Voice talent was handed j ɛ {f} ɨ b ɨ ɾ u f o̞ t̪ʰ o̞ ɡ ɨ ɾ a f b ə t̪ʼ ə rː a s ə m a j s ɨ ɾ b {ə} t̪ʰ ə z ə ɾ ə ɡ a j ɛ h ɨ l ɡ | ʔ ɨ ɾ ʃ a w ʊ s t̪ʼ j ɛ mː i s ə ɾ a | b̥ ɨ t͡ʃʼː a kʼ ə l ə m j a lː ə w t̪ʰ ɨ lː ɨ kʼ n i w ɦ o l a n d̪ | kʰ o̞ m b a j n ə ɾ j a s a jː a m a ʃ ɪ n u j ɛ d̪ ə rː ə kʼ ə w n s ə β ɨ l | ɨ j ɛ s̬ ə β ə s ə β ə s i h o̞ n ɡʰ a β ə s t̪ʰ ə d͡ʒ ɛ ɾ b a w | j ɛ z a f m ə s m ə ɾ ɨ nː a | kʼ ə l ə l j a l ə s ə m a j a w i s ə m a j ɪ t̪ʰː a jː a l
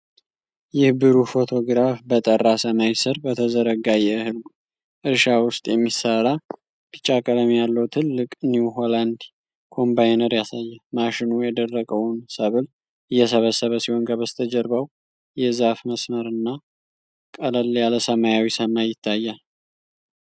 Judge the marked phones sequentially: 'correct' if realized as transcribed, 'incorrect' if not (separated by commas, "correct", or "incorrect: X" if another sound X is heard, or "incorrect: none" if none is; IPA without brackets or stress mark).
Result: incorrect: h, correct